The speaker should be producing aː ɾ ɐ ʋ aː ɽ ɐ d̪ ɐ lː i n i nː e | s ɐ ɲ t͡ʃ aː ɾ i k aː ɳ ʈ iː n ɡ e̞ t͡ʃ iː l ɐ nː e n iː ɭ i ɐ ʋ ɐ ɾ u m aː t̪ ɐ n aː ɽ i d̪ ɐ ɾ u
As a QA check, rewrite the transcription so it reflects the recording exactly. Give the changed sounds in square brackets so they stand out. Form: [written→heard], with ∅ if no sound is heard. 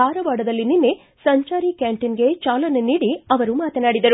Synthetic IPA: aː ɾ ɐ ʋ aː ɽ ɐ d̪ ɐ lː i n i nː e | s ɐ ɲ t͡ʃ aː ɾ i k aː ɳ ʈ [iː→i] n ɡ e̞ t͡ʃ [iː→aː] l ɐ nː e n iː [ɭ→ɽ] i ɐ ʋ ɐ ɾ u m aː t̪ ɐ n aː ɽ i d̪ ɐ ɾ u